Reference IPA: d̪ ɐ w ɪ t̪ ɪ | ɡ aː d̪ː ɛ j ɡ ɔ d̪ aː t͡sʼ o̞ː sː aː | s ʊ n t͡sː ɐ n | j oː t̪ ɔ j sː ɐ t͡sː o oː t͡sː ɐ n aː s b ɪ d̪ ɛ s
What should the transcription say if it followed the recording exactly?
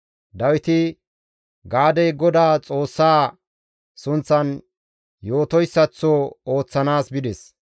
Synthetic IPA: d̪ ɐ w ɪ t̪ ɪ | ɡ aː d̪ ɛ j ɡ ɔ d̪ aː t͡sʼ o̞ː sː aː | s ʊ n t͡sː ɐ n | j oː t̪ ɔ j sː ɐ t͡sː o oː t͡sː ɐ n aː s b ɪ d̪ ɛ s